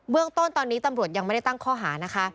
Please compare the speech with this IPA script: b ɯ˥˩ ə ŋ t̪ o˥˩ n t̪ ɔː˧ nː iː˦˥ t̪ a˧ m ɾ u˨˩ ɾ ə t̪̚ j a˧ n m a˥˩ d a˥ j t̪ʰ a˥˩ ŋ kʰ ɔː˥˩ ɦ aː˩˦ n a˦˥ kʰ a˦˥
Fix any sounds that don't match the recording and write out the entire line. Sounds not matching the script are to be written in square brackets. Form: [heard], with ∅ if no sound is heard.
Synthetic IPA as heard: b ɯ˥˩ ə ŋ t̪ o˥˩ n t̪ ɔː˧ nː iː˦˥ t̪ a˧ m ɾ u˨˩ [∅] ə t̪̚ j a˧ [ŋ] m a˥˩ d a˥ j [t̪] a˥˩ ŋ kʰ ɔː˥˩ ɦ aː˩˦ n a˦˥ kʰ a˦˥

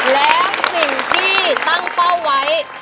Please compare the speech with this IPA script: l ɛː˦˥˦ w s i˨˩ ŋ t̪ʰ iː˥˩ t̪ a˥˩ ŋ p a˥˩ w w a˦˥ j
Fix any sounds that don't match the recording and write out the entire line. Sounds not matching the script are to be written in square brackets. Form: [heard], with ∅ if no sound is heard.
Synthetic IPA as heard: l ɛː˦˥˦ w s i˨˩ ŋ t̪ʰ iː˥˩ t̪ a˥˩ ŋ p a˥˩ w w a˦˥ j

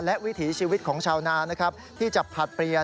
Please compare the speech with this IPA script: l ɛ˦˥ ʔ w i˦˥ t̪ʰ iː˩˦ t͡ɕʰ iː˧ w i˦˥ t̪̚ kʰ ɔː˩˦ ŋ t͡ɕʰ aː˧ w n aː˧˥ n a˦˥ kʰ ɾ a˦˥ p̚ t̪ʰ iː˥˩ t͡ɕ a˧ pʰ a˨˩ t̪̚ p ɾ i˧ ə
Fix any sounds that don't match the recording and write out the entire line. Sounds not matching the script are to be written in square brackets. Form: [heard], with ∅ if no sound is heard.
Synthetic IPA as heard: l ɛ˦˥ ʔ w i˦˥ t̪ʰ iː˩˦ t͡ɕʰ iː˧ w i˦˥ t̪̚ kʰ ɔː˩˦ ŋ t͡ɕʰ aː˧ w n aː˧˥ n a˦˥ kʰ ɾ a˦˥ p̚ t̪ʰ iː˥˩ t͡ɕ [a˨˩] pʰ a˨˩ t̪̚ p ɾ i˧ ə

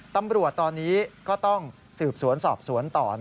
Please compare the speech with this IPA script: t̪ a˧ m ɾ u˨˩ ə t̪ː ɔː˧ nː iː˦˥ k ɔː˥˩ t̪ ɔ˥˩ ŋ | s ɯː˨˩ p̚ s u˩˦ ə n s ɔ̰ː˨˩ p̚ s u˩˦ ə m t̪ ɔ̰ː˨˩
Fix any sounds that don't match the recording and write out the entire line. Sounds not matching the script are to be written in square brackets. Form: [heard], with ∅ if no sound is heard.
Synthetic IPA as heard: t̪ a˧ m ɾ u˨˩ ə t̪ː ɔː˧ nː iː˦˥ k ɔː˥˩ t̪ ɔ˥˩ ŋ | s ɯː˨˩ p̚ s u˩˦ ə n s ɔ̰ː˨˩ p̚ s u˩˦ ə [n] t̪ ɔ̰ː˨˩

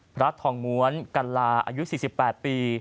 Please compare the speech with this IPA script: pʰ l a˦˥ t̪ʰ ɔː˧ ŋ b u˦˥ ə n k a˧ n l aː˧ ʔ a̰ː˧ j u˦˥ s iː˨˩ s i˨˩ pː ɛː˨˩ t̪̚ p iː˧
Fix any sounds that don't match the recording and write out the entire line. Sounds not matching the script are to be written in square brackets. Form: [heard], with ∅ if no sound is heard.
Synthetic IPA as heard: pʰ [ɾ] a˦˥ t̪ʰ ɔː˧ ŋ [m] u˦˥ ə n k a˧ n l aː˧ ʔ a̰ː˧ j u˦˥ s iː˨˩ s i˨˩ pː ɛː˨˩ t̪̚ p iː˧

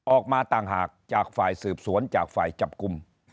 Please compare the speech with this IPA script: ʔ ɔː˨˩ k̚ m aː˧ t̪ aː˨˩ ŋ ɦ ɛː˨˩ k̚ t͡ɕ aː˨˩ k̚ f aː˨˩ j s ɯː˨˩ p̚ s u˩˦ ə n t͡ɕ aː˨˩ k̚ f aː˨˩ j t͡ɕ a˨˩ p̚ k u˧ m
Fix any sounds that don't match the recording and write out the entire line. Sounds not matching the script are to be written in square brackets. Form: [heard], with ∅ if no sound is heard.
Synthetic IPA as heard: ʔ ɔː˨˩ k̚ m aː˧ t̪ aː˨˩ ŋ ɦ [aː˨˩] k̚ t͡ɕ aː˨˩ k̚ f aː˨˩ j s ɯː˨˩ p̚ s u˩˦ ə n t͡ɕ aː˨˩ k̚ f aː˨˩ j t͡ɕ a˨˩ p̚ k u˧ m

